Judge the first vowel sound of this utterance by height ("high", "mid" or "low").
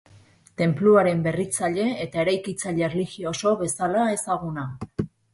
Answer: mid